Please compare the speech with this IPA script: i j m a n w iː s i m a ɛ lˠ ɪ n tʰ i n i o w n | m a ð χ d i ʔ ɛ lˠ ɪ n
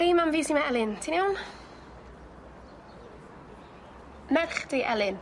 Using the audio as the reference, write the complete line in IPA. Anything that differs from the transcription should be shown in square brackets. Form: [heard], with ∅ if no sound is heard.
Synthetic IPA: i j m a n [v] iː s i m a ɛ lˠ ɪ n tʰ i n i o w n | m [ɛ] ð χ d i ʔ ɛ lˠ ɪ n